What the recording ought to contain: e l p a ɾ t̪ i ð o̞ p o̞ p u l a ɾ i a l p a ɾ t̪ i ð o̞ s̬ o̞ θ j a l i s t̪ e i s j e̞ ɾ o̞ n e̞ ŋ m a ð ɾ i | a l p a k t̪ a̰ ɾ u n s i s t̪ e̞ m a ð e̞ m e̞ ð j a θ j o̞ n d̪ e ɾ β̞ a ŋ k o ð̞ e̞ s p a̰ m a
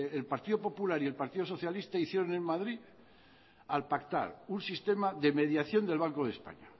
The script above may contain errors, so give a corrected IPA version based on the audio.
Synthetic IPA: e l p a ɾ t̪ i ð o̞ p o̞ p u l a ɾ i e l p a ɾ t̪ i ð o̞ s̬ o̞ θ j a l i s t̪ a i θ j e̞ ɾ o̞ n e̞ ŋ m a ð ɾ i | a l p a k t̪ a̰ ɾ u n s i s t̪ e̞ m a ð e̞ m e̞ ð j a θ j o̞ n d̪ e l β̞ a ŋ k o ð̞ e̞ s p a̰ ɲ a

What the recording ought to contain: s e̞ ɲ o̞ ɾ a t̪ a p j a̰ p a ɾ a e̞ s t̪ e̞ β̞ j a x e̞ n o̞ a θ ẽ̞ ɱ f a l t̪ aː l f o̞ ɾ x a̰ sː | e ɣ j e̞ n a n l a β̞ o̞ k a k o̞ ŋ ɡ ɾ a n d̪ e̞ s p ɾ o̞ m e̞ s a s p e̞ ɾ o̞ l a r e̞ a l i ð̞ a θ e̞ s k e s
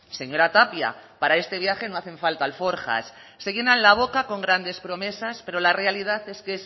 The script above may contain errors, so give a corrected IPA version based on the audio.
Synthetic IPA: s e̞ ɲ o̞ ɾ a t̪ a p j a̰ p a ɾ a e̞ s t̪ e̞ β̞ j a x e̞ n o̞ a θ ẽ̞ ɱ f a l t̪ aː l f o̞ ɾ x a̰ sː | e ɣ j e̞ n a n l a β̞ o̞ k a k o̞ ŋ ɡ ɾ a n d̪ e̞ s p ɾ o̞ m e̞ s a s p e̞ ɾ o̞ l a r e̞ a l i ð̞ a θ e̞ s k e s

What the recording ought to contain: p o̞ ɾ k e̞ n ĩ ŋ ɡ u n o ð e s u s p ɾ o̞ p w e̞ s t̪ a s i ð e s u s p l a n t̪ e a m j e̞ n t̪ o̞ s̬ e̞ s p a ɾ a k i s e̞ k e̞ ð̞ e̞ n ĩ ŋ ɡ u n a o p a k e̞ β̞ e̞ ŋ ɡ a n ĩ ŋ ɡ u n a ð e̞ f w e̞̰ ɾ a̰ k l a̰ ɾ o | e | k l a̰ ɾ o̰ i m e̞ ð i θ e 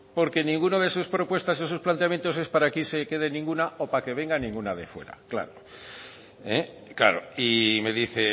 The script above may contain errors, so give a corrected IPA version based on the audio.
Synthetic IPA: p o̞ ɾ k e̞ n ĩ ŋ ɡ u n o ð e s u s p ɾ o̞ p w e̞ s t̪ a s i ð e s u s p l a n t̪ e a m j e̞ n t̪ o̞ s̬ e̞ s p a ɾ a k i s e̞ k e̞ ð̞ e̞ n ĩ ŋ ɡ u n a o p a k e̞ β̞ e̞ ŋ ɡ a n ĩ ŋ ɡ u n a ð e̞ f w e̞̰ ɾ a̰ k l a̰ ɾ o | e | k l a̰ ɾ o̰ i m e̞ ð i θ e

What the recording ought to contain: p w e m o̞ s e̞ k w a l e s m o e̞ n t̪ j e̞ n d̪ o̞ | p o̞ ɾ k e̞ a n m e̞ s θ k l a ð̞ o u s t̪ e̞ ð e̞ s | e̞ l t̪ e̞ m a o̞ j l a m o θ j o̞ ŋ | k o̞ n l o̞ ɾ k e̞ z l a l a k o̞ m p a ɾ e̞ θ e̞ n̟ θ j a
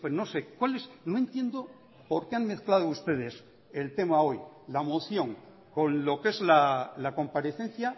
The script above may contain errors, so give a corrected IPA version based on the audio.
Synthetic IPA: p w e n o̞ s e̞ k w a l e s n o e̞ n t̪ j e̞ n d̪ o̞ | p o̞ ɾ k e̞ a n m e̞ θ k l a ð̞ o u s t̪ e̞ ð e̞ s | e̞ l t̪ e̞ m a o̞ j l a m o θ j o̞ ŋ | k o̞ n l o̞ k e̞ z l a l a k o̞ m p a ɾ e̞ θ e̞ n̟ θ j a

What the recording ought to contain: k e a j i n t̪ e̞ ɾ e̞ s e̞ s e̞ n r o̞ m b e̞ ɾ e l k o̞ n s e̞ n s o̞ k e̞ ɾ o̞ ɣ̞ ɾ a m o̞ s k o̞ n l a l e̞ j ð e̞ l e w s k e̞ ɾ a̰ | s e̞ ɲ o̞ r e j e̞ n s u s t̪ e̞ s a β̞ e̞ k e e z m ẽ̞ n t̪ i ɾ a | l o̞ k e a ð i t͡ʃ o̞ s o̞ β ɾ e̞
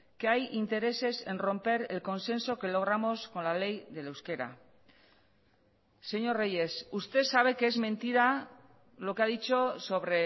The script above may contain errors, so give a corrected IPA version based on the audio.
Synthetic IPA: k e a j i n t̪ e̞ ɾ e̞ s e̞ s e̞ n r o̞ m p e̞ ɾ e l k o̞ n s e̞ n s o̞ k e̞ l o̞ ɣ̞ ɾ a m o̞ s k o̞ n l a l e̞ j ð e̞ l e w s k e̞ ɾ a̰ | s e̞ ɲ o̞ r e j e̞ s u s t̪ e̞ s a β̞ e̞ k e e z m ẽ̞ n t̪ i ɾ a | l o̞ k e a ð i t͡ʃ o̞ s o̞ β ɾ e̞

